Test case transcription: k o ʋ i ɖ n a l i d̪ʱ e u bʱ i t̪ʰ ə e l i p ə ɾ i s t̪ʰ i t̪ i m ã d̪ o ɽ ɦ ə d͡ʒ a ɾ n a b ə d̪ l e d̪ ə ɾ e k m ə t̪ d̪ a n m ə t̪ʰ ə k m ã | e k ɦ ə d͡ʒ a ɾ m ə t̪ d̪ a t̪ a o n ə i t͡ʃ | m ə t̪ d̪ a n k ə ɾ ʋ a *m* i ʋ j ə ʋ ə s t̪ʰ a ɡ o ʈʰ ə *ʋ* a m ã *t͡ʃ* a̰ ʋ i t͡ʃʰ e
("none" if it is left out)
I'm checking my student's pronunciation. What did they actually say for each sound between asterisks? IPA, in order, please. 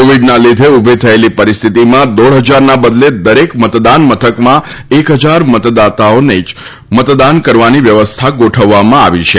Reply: n, ʋː, none

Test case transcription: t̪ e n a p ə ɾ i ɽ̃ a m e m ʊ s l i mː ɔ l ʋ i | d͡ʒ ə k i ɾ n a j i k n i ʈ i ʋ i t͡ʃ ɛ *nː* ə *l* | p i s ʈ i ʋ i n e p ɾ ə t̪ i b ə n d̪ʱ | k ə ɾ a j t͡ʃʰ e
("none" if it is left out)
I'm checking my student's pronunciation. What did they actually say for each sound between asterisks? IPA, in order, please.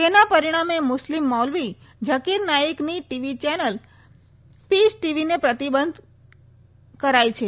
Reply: n, l

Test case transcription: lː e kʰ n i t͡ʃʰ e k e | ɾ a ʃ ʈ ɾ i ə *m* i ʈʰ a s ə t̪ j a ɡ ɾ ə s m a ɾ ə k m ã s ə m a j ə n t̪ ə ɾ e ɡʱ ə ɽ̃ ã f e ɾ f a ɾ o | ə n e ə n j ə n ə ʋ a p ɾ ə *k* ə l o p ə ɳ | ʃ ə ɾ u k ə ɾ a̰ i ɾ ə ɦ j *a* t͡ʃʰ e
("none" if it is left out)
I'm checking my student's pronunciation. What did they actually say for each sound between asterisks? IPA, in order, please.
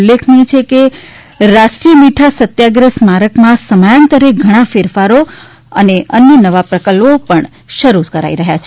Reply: m, k, a

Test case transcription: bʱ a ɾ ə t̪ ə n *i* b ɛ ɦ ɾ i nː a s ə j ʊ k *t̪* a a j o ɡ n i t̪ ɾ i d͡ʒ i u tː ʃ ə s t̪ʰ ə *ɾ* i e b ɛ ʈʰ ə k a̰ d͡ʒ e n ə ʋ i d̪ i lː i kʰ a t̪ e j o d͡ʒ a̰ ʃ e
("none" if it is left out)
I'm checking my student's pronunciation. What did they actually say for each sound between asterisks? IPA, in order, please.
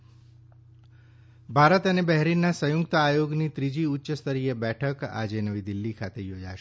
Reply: e, t̪, ɾ

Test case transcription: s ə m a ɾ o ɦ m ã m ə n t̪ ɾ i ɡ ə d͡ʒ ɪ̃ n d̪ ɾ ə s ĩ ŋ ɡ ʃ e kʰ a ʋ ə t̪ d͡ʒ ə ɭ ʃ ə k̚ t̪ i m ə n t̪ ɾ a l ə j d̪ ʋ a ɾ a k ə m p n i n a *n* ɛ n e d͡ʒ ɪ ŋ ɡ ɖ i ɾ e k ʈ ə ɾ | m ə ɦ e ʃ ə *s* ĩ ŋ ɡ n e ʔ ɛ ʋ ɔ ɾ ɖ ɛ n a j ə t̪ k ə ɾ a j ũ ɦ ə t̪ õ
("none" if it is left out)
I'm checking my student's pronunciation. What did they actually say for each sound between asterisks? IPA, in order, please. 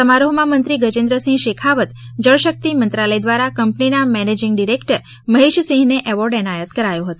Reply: m, s

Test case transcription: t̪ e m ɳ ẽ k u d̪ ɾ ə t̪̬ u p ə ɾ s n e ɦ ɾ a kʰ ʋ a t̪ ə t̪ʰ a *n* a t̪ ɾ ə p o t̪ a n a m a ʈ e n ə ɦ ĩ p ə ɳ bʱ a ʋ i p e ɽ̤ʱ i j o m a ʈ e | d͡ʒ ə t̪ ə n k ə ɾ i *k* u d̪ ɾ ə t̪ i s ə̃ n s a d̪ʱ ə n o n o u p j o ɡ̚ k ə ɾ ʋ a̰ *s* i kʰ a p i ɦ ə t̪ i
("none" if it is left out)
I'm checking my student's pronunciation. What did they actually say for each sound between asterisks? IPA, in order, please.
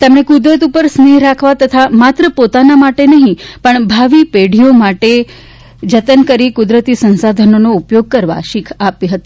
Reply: m, k, ʃ

